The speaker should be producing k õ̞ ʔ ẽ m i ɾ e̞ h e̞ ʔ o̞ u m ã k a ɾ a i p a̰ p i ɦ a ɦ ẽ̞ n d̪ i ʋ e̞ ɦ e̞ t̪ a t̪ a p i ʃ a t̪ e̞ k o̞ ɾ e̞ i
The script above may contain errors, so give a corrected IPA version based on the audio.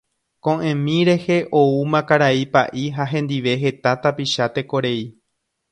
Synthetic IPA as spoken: k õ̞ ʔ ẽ m ĩ ɾ e̞ h e̞ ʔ o̞ u m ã k a ɾ a i p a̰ ʔ i ɦ a ɦ ẽ̞ n d̪ i ʋ e̞ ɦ e̞ t̪ a t̪ a p i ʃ a t̪ e̞ k o̞ ɾ e̞ i

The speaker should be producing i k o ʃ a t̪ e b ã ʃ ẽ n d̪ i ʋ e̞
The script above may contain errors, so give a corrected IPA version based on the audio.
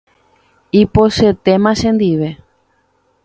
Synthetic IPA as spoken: i p o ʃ e t̪ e m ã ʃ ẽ n d̪ i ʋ e̞

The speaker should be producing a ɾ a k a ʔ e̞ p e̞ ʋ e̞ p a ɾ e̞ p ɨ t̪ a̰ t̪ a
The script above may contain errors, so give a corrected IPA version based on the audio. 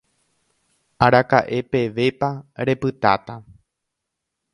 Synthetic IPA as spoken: a ɾ a k a ʔ e̞ p e̞ ʋ e̞ p a ɾ e̞ p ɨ t̪ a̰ t̪ a

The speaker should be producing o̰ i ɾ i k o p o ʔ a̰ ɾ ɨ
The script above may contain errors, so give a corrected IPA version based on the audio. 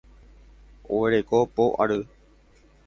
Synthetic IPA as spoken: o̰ e ɾ e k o p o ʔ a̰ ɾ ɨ

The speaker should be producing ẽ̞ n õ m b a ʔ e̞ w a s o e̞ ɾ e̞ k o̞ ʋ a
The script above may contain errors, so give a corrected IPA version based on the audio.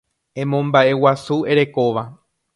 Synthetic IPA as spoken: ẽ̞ m õ m b a ʔ e̞ w a s u e̞ ɾ e̞ k o̞ ʋ a

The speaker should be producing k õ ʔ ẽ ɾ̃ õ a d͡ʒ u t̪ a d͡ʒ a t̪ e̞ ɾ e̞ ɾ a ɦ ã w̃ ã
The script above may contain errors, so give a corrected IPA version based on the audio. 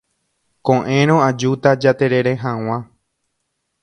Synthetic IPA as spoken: k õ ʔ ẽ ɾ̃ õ a d͡ʒ u t̪ a d͡ʒ a t̪ e̞ ɾ e̞ ɾ e ɦ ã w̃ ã

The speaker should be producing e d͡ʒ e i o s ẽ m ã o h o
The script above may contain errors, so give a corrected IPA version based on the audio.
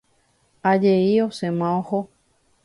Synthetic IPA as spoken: a d͡ʒ e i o s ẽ m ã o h o

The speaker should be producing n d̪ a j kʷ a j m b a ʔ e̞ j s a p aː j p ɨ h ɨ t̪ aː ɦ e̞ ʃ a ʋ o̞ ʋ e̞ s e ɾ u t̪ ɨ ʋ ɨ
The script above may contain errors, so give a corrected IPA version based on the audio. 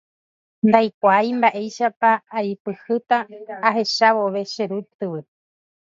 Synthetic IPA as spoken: n d̪ a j kʷ a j m b a ʔ e̞ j ʃ a p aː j p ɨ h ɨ t̪ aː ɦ e̞ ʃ a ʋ o̞ ʋ e̞ ʃ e ɾ u t̪ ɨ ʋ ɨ

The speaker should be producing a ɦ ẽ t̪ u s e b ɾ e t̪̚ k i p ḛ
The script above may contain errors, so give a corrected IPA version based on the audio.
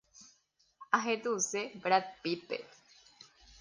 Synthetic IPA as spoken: a ɦ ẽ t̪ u s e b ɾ a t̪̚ p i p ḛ

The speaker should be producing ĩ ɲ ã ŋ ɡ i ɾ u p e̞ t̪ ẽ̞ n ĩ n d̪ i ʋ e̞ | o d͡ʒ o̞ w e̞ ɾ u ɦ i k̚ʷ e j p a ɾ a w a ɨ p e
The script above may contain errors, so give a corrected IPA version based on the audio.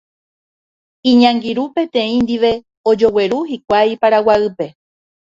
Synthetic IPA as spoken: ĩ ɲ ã ŋ ɡ i ɾ u p e̞ t̪ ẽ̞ ĩ n d̪ i ʋ e̞ | o d͡ʒ o̞ w e̞ ɾ u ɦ i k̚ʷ a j p a ɾ a w a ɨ p e

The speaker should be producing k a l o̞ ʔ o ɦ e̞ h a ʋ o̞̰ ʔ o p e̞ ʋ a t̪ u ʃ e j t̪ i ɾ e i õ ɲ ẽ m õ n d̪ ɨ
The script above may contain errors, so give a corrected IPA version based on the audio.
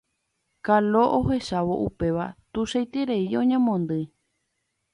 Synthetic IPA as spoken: k a l o̞ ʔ o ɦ e̞ ʃ a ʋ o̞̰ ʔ u p e̞ ʋ a t̪ u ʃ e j t̪ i ɾ e i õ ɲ ẽ m õ n d̪ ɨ

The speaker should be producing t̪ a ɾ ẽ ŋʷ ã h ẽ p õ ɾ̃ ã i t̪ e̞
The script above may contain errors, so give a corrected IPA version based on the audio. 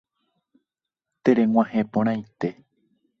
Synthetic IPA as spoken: t̪ e ɾ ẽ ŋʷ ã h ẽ p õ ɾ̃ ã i t̪ e̞

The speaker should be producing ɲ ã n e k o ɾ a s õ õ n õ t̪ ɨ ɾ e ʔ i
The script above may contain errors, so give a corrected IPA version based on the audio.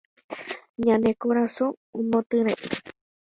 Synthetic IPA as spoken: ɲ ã n e k o ɾ a s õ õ m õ t̪ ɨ ɾ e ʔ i

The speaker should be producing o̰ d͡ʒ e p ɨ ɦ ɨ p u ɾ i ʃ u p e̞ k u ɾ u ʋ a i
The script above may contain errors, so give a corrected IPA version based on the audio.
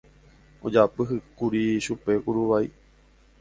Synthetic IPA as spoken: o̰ d͡ʒ a p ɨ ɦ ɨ k u ɾ i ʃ u p e̞ k u ɾ u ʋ a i

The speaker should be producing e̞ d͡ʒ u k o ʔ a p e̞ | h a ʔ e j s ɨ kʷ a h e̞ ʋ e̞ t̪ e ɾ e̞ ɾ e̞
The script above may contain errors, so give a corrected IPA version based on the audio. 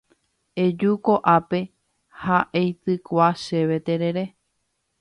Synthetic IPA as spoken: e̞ d͡ʒ u k o ʔ a p e̞ | h a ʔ e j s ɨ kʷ a ʃ e̞ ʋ e̞ t̪ e ɾ e̞ ɾ e̞

